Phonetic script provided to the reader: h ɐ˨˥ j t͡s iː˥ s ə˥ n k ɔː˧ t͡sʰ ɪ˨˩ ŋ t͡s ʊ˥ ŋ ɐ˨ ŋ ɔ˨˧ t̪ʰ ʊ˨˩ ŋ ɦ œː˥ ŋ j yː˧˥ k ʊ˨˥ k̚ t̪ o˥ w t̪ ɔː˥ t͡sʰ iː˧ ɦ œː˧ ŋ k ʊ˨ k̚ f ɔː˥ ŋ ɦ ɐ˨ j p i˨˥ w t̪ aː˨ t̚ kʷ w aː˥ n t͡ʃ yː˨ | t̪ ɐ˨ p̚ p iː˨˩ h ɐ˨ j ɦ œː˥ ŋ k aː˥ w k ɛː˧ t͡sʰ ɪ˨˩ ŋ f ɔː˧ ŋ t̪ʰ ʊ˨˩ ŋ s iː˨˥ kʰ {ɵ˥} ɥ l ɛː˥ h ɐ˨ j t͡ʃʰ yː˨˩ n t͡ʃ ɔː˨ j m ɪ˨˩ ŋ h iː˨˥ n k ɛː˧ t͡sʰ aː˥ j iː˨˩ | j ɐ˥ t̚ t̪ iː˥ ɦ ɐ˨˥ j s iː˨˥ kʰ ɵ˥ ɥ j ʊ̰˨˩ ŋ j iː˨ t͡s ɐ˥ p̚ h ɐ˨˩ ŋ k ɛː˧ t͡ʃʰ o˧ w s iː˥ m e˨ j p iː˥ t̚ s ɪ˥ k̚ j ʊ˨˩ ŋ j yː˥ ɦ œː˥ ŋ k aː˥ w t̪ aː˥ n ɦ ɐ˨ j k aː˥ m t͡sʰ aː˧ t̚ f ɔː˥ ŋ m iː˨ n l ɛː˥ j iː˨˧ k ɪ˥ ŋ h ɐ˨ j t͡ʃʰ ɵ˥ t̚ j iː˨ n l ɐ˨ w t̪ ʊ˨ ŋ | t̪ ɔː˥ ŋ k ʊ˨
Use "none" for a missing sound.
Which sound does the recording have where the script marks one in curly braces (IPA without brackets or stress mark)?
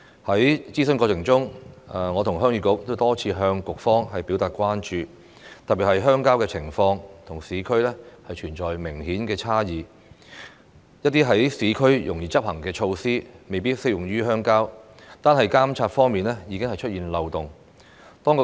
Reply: ɵ˥